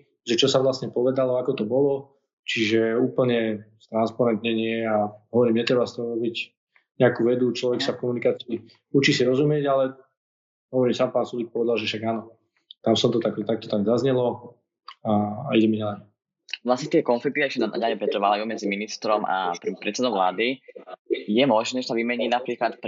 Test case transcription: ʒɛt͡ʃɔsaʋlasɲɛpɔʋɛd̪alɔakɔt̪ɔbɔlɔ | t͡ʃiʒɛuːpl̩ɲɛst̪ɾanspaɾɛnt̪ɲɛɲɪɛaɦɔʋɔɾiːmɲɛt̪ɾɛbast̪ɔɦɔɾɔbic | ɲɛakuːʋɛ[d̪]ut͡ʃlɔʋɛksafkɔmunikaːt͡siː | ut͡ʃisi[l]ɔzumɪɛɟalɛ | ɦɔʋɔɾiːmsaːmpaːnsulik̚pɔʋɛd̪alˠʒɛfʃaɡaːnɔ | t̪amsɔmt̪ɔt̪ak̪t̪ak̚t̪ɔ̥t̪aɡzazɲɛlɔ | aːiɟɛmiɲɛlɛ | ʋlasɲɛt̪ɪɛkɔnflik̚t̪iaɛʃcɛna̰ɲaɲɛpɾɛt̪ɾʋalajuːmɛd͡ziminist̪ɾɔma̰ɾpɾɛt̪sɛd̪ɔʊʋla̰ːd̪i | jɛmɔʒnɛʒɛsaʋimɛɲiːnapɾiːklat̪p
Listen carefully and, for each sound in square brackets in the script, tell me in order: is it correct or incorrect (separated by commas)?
correct, incorrect